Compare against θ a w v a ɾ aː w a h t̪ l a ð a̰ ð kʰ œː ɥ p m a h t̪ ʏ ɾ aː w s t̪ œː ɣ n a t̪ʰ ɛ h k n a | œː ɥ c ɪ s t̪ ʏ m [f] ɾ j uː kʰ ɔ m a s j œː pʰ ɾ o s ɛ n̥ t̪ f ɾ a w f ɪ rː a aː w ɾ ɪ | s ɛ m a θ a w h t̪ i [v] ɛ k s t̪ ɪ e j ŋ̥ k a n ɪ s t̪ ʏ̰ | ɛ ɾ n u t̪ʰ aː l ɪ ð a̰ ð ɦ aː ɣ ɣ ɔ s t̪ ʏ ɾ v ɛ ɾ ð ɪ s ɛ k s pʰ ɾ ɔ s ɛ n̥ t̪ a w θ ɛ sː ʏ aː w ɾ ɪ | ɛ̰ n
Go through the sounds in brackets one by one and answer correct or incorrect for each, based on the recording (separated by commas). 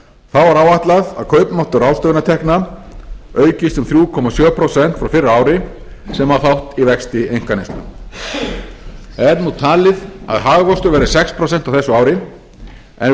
incorrect, correct